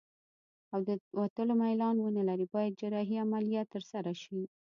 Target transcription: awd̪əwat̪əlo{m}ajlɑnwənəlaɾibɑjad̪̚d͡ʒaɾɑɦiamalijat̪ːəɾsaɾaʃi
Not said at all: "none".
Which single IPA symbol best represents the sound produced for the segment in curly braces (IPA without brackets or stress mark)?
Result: m